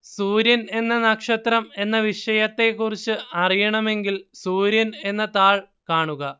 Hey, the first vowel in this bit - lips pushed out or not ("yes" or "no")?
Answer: yes